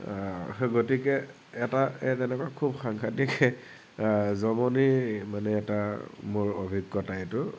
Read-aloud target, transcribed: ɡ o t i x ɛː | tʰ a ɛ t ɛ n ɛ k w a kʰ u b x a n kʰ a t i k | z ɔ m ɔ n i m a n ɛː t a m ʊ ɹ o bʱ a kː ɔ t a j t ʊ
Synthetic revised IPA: ɡ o t i k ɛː | t a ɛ t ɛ n ɛ k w a kʰ u b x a ŋ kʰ a t i k | z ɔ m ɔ n i m a n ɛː t a m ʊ ɹ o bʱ i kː ɔ t a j t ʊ